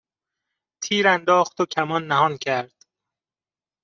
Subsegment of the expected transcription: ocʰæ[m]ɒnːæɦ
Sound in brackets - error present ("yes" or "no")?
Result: no